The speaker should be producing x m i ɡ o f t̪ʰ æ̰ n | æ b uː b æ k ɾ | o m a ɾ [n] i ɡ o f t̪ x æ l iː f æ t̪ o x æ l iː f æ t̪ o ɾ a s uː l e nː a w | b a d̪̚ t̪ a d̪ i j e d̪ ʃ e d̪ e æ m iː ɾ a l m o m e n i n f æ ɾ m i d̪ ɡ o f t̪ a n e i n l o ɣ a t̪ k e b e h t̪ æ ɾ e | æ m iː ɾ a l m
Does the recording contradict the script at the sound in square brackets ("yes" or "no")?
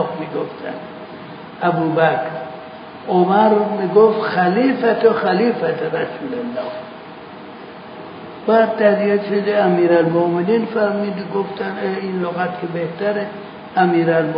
yes